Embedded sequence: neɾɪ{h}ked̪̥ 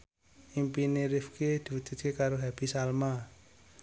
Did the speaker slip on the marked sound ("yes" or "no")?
yes